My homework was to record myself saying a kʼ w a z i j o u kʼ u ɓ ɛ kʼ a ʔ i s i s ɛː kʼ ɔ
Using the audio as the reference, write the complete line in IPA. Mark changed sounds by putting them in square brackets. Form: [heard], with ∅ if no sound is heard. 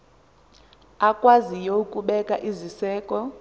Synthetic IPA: a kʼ w a z i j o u kʼ u ɓ ɛ kʼ a ʔ i [z] i s ɛː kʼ ɔ